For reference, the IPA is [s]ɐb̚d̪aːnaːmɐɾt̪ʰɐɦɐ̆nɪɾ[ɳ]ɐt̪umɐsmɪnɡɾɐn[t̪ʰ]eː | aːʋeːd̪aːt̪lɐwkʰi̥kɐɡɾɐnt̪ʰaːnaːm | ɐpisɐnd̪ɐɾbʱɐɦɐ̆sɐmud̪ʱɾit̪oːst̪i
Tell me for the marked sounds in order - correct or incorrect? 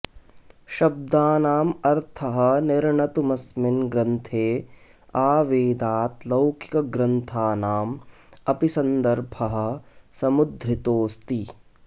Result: incorrect: ʃ, correct, correct

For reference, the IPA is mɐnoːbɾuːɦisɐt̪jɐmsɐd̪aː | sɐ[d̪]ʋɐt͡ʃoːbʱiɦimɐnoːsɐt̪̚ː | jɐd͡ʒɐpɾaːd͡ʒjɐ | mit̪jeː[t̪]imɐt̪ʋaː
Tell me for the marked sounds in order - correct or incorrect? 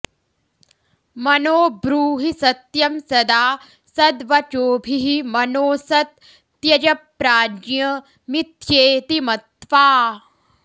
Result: correct, correct

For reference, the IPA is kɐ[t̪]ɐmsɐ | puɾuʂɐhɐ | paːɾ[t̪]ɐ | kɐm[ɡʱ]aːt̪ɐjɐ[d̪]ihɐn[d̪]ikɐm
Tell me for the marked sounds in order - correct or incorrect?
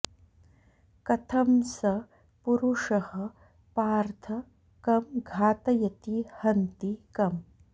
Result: incorrect: t̪ʰ, incorrect: t̪ʰ, correct, incorrect: t̪, incorrect: t̪

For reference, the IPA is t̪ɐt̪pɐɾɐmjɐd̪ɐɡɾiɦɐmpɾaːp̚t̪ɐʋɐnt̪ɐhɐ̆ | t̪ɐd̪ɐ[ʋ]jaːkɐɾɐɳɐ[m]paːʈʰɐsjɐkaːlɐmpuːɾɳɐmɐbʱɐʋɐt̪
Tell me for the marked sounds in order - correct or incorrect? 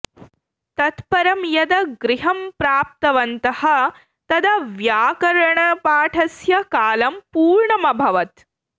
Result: correct, incorrect: none

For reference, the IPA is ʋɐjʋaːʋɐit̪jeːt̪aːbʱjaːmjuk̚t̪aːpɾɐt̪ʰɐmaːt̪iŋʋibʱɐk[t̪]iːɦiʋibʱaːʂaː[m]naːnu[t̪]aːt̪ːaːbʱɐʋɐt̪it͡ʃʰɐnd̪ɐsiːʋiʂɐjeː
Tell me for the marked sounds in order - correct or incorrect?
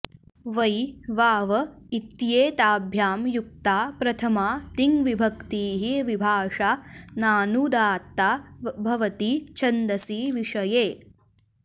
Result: correct, incorrect: none, incorrect: d̪

